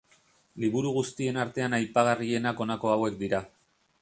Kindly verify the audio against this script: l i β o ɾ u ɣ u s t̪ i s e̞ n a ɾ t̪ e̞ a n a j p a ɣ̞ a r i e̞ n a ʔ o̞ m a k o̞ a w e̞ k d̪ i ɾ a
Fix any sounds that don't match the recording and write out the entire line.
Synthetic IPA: l i β u ɾ u ɣ u s t̪ i e̞ n a ɾ t̪ e̞ a n a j p a ɣ̞ a r i e̞ n a k o̞ n a k o̞ a w e̞ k d̪ i ɾ a